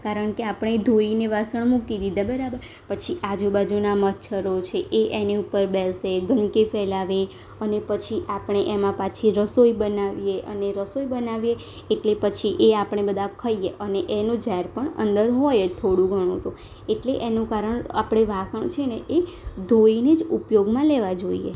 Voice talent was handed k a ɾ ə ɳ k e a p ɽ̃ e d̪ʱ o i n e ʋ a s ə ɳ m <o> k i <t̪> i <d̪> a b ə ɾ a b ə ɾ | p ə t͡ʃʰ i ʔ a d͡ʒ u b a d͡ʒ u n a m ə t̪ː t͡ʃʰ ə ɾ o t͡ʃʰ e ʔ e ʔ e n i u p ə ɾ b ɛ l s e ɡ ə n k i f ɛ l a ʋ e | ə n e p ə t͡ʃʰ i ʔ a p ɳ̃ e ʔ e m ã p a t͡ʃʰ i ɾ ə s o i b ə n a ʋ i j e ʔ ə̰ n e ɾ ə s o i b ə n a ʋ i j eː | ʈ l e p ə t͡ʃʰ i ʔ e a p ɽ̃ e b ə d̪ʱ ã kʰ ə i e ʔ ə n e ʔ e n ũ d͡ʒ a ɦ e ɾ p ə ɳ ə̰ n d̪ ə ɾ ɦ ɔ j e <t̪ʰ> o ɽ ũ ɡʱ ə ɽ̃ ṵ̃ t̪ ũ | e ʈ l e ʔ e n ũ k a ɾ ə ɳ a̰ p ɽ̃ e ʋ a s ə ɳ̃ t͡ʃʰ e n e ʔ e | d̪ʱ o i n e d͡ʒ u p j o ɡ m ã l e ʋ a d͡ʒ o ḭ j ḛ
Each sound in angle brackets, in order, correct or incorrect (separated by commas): incorrect, incorrect, correct, correct